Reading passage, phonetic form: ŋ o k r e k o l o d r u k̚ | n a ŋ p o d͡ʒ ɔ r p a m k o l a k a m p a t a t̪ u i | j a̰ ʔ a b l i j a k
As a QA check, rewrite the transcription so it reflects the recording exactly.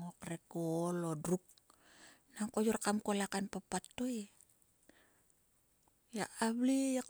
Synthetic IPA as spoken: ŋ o k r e k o l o d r u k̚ | n a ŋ k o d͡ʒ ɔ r k a m k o l a k a n p a p a t̪ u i | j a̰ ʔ a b l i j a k

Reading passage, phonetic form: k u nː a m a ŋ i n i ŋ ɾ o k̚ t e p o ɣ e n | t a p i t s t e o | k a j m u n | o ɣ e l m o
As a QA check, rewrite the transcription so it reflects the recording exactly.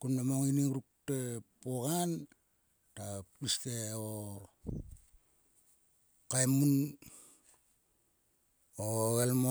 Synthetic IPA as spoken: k u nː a m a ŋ i n i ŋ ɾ u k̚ t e p o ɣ a n | t a p i s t e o | k a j m u n | o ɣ e l m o

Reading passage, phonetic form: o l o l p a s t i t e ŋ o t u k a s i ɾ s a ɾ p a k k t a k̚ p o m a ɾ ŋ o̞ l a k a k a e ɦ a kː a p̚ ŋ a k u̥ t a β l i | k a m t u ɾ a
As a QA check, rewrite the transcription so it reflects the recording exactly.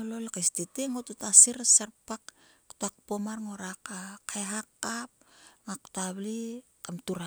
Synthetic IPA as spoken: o l o l k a s t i t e ŋ o t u t a s i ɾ s a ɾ p a k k t a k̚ p o m a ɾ ŋ o̞ ɾ a k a k a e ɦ a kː a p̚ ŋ a k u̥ t a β l i | k a m t u ɾ a

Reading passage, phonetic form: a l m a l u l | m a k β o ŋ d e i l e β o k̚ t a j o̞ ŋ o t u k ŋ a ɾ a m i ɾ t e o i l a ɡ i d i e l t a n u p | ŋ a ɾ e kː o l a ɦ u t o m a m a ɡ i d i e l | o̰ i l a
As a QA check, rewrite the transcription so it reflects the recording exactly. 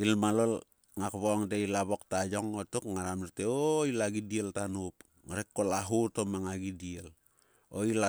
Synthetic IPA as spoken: i l m a l o l | ŋ a k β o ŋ d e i l a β o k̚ t a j o̞ ŋ o t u k ŋ a ɾ a m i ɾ t e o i l a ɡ i d i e l t a n u p | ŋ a ɾ e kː o l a ɦ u t o m a ŋ a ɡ i d i e l | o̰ i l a

